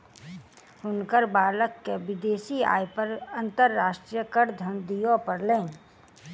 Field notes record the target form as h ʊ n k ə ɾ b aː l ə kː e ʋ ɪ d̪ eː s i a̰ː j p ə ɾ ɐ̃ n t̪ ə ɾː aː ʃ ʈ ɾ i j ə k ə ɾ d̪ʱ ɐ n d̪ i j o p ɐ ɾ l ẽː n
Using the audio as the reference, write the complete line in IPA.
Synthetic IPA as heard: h ʊ n k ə ɾ b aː l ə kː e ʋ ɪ d̪ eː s i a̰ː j p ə ɾ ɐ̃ n t̪ ə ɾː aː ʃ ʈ ɾ i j ə k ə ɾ d̪ʱ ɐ n d̪ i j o p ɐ ɾ l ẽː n